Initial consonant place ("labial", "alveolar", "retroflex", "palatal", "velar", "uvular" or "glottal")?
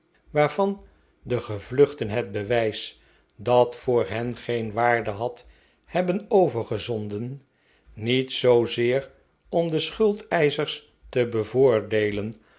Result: labial